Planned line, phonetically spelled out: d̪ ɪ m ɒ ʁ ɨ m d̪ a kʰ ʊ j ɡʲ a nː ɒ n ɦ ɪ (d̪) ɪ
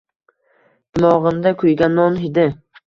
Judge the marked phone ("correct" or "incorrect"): correct